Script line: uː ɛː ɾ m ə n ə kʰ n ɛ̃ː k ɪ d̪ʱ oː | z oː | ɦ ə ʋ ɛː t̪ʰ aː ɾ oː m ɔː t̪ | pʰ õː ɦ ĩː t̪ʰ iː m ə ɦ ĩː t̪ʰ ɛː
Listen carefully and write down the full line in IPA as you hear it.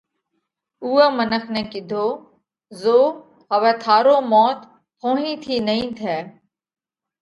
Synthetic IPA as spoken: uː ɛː m ə n ə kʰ n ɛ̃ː k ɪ d̪ʱ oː | z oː | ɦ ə ʋ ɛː t̪ʰ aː ɾ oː m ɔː t̪ | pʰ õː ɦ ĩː t̪ʰ iː n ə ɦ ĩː t̪ʰ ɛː